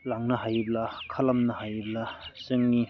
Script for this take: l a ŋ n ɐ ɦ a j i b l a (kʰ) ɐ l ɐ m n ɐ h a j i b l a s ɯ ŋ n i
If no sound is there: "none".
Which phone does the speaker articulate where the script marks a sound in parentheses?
kʰ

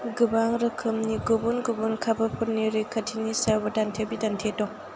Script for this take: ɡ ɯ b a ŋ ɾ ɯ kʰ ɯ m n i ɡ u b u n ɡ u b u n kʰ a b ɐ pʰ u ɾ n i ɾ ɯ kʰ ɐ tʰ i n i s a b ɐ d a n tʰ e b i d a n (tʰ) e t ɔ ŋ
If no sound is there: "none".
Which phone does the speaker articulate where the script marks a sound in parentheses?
tʰ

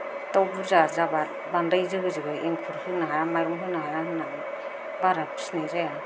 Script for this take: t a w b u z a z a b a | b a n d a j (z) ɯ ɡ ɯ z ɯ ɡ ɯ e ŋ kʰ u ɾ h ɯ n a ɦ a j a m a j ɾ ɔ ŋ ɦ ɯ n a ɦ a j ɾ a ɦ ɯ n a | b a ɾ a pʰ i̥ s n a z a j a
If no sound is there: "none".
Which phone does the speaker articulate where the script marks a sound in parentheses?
z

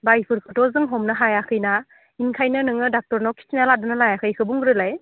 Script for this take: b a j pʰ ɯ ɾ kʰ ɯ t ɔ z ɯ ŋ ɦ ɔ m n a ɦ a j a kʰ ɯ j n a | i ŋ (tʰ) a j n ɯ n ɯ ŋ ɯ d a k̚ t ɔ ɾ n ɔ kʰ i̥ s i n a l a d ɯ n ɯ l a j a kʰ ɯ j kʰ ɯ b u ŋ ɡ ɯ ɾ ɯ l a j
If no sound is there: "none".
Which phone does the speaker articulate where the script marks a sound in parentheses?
kʰ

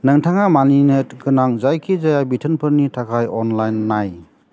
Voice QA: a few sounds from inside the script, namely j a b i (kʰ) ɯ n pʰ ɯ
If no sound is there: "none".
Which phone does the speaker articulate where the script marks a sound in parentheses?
tʰ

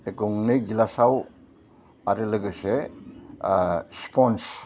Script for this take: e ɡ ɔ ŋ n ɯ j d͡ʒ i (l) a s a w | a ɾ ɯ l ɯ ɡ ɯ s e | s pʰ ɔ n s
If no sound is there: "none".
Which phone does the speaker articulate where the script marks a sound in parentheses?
l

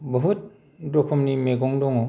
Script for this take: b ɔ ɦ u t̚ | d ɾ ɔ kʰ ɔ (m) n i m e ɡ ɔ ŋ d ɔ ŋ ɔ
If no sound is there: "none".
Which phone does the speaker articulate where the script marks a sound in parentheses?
m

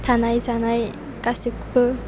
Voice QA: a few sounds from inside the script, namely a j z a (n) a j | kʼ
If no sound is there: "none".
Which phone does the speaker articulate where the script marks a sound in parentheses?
n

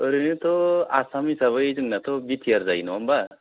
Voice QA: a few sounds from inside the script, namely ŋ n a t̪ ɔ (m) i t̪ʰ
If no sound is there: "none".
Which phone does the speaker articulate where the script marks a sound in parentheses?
b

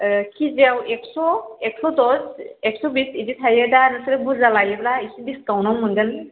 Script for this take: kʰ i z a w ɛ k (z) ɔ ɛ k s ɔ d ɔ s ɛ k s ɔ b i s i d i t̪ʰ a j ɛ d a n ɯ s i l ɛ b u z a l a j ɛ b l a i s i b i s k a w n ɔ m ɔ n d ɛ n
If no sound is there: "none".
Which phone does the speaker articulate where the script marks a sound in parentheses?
s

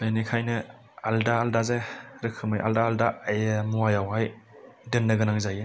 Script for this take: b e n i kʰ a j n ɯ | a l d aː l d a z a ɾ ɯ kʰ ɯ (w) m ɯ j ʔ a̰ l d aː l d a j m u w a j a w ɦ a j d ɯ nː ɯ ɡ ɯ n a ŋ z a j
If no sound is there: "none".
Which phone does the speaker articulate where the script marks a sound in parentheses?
none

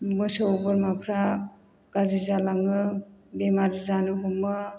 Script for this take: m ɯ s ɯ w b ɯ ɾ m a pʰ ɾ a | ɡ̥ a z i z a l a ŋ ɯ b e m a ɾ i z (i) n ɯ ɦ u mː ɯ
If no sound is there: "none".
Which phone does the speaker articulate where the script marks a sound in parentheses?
a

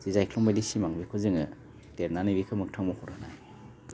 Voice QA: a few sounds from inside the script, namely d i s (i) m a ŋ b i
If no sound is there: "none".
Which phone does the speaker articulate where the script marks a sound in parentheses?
i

